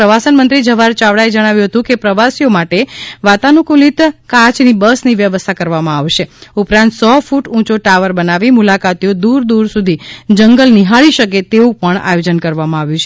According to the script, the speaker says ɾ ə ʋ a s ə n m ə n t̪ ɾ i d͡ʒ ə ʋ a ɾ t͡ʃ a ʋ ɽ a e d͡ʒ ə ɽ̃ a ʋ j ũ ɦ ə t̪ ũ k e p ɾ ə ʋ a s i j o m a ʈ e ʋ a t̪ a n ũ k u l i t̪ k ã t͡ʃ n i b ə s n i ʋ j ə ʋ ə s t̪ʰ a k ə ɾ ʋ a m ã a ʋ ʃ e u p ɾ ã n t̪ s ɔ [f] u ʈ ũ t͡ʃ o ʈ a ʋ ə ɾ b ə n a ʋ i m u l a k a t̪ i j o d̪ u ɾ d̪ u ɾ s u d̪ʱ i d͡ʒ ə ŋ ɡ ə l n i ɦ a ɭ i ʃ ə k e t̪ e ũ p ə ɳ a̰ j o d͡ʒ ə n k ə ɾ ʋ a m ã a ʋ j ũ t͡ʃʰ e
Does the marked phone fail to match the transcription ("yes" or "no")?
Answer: no